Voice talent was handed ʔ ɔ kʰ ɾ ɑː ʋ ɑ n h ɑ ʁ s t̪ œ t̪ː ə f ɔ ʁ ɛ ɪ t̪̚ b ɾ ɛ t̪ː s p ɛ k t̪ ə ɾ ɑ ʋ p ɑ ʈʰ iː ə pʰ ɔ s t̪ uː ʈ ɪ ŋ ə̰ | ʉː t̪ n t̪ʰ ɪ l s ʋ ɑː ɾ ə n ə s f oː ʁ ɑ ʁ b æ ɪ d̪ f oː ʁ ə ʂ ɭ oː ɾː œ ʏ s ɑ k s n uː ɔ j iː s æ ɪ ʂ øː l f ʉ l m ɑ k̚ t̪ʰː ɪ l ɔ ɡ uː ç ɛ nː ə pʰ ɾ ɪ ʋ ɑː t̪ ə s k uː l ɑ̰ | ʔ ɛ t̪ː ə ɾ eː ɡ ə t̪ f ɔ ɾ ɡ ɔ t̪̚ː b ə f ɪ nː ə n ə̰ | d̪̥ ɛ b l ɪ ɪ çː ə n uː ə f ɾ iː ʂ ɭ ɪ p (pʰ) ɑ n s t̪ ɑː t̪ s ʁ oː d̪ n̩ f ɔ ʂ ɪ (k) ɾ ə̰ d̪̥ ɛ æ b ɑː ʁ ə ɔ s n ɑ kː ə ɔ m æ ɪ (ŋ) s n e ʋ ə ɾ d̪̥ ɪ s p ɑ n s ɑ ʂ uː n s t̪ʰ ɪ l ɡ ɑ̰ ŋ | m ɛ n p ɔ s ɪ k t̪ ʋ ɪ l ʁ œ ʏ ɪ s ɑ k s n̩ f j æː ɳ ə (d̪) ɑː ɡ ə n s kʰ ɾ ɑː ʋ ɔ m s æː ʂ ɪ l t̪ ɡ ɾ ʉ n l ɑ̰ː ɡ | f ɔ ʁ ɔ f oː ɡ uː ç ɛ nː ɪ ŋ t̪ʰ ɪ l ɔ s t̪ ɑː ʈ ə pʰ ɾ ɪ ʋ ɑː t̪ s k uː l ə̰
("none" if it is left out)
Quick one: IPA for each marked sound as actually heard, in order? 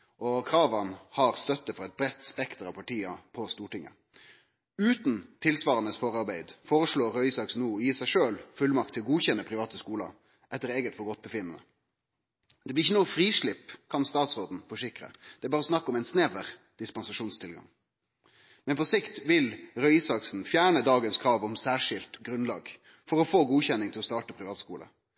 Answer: kʰ, k, n, d̪

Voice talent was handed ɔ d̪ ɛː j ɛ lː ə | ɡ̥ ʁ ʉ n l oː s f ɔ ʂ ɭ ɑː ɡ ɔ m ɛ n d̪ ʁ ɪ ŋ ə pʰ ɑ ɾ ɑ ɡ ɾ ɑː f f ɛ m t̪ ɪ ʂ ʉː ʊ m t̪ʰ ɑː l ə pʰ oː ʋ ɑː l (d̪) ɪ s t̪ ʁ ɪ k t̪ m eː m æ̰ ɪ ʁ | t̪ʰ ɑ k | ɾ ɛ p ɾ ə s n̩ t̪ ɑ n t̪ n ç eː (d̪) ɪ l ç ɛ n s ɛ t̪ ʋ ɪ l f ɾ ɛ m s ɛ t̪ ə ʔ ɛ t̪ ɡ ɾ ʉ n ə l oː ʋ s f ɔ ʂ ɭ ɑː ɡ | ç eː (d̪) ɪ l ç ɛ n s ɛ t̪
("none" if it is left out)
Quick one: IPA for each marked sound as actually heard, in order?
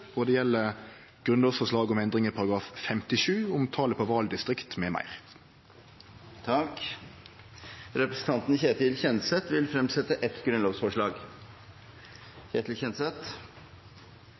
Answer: d̪, t̪, t̪

